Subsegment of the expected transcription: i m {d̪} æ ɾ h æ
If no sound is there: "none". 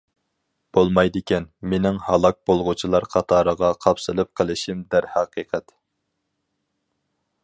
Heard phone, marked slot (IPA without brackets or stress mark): d̪